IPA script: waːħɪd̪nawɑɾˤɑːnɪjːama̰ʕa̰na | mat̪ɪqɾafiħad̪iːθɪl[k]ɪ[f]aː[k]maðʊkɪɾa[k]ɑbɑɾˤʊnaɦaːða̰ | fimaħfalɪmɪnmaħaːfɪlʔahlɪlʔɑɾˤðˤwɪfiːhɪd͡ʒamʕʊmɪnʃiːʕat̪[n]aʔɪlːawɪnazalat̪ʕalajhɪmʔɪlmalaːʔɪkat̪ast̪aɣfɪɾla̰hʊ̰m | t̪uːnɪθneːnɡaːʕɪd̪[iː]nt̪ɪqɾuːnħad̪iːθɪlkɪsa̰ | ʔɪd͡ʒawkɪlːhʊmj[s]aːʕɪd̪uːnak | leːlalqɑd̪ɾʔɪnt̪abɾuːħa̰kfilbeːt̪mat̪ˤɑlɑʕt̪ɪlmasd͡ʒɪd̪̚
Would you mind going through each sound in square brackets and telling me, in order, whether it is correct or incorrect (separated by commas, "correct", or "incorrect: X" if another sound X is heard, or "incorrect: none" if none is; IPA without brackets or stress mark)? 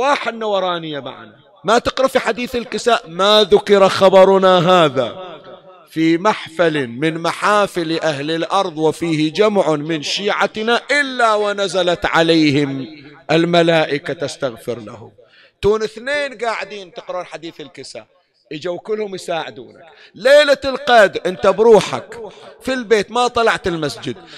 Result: correct, incorrect: s, incorrect: ʔ, incorrect: x, correct, correct, correct